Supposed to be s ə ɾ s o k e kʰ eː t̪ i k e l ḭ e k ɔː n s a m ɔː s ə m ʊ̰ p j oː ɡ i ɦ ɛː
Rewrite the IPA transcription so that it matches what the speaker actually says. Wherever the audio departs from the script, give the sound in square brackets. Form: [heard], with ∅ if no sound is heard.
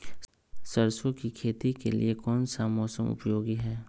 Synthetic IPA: s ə ɾ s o k [i] kʰ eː t̪ i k e l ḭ e k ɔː n s a m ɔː s ə m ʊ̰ p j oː ɡ i ɦ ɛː